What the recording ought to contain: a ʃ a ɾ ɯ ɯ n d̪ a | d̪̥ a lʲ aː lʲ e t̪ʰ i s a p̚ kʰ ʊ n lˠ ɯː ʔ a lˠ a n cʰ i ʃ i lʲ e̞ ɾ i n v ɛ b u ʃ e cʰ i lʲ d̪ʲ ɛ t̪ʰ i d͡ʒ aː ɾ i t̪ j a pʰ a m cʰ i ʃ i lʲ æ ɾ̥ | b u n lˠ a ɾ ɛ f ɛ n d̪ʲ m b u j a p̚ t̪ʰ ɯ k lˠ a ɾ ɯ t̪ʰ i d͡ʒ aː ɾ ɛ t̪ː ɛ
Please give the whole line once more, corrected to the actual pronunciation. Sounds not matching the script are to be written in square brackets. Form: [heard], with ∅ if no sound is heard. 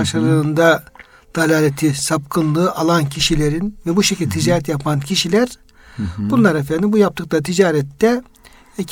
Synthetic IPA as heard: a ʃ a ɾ ɯ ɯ n d̪ a | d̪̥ a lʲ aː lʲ e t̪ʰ i s a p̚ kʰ [ɯ] n lˠ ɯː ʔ a lˠ a n cʰ i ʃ i lʲ e̞ ɾ i n v ɛ b u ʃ e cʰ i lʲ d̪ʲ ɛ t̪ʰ i d͡ʒ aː ɾ [ɛ] t̪ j a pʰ a [n] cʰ i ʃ i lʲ æ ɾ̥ | b u n lˠ a ɾ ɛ f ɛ n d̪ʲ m b u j a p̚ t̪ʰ ɯ k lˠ a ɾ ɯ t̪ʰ i d͡ʒ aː ɾ ɛ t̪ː ɛ